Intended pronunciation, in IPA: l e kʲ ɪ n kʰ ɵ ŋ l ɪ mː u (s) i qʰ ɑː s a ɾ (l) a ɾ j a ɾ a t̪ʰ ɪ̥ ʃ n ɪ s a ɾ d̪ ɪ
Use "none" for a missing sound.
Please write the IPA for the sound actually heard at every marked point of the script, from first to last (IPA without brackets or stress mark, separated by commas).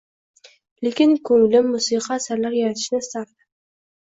s, l